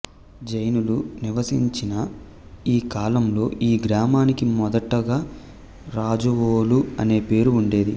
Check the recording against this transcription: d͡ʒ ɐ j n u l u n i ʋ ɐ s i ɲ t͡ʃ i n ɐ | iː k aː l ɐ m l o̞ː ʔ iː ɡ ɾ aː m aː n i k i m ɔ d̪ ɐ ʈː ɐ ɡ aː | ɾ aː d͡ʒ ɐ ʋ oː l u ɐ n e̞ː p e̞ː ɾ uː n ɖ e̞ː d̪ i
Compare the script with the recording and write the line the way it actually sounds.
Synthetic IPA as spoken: d͡ʒ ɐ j n u l u n i ʋ ɐ s i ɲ t͡ʃ i n ɐ | iː k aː l ɐ m l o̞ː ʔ iː ɡ ɾ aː m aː n i k i m ɔ d̪ ɐ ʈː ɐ ɡ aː | ɾ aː d͡ʒ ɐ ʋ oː l u ɐ n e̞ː p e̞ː ɾ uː ɳ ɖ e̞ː d̪ i